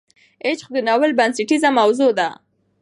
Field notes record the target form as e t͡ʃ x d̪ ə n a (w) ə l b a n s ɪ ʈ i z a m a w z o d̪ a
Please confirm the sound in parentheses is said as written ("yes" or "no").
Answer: yes